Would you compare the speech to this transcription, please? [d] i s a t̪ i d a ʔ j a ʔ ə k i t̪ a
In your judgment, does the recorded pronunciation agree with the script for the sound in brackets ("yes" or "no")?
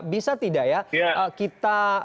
no